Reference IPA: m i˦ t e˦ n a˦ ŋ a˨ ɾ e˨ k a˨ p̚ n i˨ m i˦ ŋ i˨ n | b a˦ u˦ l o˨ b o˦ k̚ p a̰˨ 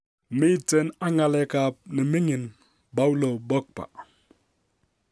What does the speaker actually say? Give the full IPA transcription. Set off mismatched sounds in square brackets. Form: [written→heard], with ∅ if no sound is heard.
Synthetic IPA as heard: m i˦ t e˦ n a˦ ŋ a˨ [ɾ→l] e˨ k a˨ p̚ n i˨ m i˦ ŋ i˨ n | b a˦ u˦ l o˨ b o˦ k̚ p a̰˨

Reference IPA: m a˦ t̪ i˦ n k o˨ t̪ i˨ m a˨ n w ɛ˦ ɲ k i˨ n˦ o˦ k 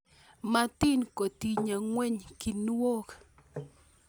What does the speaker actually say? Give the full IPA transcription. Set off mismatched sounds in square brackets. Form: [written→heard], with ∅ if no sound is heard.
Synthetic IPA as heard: m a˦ t̪ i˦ n k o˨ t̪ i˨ [m→ɲ] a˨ [n→ŋ] w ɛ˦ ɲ k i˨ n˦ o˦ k

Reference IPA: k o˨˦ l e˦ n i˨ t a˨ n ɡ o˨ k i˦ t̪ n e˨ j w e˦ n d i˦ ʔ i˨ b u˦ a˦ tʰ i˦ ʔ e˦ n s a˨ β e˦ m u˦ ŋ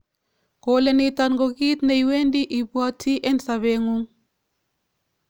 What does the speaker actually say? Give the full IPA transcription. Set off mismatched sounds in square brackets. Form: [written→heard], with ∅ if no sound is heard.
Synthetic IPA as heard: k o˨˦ l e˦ n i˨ t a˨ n ɡ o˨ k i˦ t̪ n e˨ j w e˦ n d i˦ ʔ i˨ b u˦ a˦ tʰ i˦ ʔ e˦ n s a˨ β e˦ [m→ŋ] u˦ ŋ

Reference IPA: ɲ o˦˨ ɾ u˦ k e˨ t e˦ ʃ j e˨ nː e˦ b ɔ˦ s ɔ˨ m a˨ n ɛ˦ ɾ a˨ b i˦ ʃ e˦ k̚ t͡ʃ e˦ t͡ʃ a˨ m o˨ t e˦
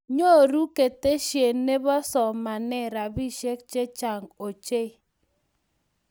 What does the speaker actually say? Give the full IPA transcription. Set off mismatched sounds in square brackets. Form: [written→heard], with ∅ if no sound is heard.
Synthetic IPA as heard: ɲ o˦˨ ɾ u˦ k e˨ t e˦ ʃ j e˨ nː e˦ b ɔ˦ s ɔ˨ m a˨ n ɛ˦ ɾ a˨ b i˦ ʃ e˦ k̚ t͡ʃ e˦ t͡ʃ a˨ [m→ŋ] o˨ [t→t͡ʃ] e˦

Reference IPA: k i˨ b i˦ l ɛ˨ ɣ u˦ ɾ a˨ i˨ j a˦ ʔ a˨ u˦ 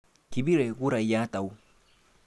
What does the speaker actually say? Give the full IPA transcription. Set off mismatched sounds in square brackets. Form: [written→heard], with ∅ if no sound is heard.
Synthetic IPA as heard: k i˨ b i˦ [l→ɾ] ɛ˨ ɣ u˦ ɾ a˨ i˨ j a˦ [ʔ→t] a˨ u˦

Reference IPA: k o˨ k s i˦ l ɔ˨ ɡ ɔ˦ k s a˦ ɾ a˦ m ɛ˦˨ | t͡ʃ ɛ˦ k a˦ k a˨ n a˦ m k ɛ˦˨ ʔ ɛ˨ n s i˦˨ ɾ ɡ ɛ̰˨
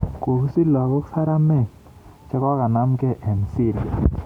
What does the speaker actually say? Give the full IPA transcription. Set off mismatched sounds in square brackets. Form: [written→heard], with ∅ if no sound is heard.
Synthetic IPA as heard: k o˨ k s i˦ l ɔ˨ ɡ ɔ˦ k s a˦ ɾ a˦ m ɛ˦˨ | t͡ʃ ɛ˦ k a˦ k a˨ n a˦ m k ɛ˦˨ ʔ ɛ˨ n s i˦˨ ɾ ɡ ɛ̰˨

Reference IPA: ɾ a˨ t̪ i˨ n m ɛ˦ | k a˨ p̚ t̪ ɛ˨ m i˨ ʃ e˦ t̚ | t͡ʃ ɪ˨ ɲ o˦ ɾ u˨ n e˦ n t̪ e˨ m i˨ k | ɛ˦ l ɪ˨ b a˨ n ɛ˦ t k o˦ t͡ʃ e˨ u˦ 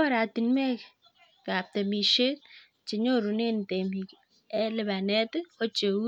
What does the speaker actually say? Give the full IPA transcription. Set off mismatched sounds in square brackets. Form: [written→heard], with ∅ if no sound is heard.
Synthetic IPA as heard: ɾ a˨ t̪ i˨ n m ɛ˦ | k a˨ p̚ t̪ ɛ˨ m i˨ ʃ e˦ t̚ | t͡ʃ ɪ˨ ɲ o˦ ɾ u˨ n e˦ n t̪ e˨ m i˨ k | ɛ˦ l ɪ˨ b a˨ n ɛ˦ t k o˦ t͡ʃ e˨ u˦

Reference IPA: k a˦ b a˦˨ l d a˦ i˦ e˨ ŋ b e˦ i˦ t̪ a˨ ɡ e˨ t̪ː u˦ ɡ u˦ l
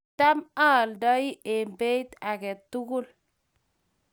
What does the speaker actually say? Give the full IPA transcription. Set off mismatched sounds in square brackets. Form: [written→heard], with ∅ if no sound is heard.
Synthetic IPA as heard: [k→t] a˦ [b→m] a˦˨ l d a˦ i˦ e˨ [ŋ→m] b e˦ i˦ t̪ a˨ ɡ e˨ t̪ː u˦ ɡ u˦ l

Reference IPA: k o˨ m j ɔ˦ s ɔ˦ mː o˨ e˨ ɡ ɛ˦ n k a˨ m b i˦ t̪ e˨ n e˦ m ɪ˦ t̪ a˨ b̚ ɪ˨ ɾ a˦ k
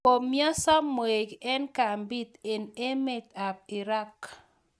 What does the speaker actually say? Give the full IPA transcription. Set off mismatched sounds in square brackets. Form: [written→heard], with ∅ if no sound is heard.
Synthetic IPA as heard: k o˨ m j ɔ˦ s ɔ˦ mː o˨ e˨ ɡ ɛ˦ n k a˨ m b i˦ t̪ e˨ n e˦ m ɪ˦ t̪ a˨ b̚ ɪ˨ ɾ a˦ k

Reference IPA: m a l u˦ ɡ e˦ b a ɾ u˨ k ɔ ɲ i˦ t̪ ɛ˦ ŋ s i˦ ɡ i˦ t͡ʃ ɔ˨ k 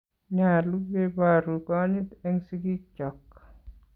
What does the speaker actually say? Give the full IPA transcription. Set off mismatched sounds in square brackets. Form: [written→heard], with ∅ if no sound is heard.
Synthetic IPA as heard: [m→ɲ] a l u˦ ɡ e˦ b a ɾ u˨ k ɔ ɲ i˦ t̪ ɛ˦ ŋ s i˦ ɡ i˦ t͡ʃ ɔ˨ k

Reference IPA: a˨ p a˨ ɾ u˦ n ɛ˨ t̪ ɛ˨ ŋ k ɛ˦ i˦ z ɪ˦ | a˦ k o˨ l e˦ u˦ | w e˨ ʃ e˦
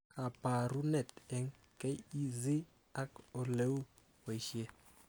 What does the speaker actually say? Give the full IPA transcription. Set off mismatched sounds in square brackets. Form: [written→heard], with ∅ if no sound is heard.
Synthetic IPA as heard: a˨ p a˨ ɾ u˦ n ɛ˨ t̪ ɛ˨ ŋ k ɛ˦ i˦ z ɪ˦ | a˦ k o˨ l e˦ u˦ | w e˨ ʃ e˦

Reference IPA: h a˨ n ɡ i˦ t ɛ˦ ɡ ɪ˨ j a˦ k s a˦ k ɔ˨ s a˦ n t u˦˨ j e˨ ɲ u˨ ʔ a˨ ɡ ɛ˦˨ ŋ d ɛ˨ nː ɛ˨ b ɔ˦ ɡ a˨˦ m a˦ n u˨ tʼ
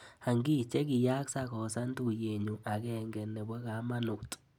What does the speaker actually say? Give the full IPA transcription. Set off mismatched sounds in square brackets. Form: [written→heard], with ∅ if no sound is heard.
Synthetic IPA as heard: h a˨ [n→ŋ] ɡ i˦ [t→t͡ʃ] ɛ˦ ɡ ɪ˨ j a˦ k s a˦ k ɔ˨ s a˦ n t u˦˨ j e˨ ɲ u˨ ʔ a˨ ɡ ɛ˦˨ ŋ [d→ɡ] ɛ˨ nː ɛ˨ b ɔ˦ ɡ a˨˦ m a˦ n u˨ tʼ

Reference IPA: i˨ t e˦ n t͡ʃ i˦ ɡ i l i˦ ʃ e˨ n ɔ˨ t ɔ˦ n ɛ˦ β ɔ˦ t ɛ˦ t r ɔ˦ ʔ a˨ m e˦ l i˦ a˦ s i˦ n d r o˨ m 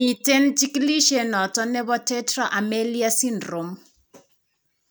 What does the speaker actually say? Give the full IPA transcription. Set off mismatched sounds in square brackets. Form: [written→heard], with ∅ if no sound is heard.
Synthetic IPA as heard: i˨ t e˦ n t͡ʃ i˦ [ɡ→k] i l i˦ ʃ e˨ n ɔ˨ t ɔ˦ n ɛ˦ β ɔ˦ t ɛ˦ t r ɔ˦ ʔ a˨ m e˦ l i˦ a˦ s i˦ n d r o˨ m

